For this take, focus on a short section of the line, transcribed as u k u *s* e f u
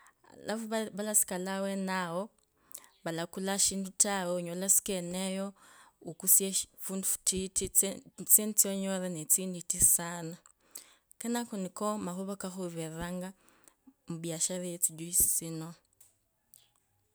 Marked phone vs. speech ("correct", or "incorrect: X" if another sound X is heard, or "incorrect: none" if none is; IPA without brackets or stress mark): correct